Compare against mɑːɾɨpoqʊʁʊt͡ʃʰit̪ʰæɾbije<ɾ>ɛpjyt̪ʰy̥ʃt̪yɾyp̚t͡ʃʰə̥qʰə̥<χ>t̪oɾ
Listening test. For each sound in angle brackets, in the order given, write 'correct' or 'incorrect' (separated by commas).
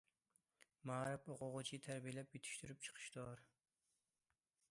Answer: incorrect, incorrect